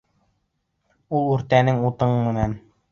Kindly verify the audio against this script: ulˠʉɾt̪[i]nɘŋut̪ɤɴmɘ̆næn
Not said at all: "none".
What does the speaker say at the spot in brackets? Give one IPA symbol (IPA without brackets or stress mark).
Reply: æ